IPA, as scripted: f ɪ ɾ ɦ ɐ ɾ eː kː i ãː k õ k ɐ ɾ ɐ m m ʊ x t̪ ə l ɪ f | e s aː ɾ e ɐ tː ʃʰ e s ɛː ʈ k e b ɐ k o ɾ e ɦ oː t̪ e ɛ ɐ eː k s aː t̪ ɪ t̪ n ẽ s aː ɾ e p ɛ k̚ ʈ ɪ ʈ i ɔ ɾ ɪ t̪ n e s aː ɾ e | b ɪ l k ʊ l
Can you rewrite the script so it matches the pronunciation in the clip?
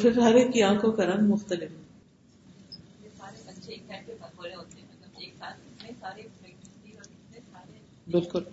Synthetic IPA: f ɪ ɾ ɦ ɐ ɾ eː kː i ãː k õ k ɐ ɾ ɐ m m ʊ x t̪ ə l ɪ f | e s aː ɾ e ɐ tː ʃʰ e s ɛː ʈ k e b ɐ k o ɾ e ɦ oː t̪ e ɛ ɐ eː k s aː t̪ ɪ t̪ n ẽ s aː ɾ e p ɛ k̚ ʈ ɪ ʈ i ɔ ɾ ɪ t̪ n e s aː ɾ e | b ɪ l k ʊ l